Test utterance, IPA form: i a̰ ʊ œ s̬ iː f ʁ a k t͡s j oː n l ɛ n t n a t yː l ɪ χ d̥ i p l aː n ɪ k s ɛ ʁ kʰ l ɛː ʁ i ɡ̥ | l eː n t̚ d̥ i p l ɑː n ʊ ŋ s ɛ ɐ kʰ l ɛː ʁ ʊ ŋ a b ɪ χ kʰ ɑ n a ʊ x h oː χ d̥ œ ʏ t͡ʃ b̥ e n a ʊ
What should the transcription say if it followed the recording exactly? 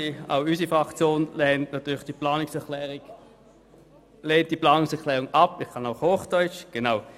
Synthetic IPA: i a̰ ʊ y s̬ i f ʁ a k t͡s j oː n l ɛ n t n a t yː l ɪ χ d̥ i p l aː n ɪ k s ɛ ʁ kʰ l ɛː ʁ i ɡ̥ | l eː n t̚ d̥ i p l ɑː n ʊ ŋ s ɛ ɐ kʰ l ɛː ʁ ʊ ŋ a p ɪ χ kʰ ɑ n a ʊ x h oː χ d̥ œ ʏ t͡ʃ ɡ̥ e n a ʊ